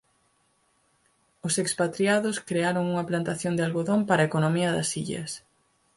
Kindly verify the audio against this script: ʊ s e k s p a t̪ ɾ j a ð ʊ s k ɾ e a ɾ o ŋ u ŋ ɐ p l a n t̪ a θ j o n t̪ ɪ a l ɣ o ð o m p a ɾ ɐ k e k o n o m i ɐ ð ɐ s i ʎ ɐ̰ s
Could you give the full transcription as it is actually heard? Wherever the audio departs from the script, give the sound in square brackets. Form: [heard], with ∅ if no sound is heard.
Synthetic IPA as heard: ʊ s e k s p a t̪ ɾ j a ð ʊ s k ɾ e a ɾ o ŋ u ŋ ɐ p l a n t̪ a θ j o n [d̪] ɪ a l ɣ o ð o m p a ɾ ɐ [∅] e k o n o m i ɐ ð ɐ s i ʎ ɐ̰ s